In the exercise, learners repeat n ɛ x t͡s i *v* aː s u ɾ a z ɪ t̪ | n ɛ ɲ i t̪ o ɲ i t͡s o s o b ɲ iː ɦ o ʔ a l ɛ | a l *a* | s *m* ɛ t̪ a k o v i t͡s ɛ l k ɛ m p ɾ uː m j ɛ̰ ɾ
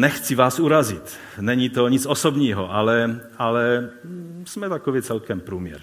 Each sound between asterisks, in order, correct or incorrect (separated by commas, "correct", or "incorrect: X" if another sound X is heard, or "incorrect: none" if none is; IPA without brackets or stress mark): correct, incorrect: ɛ, correct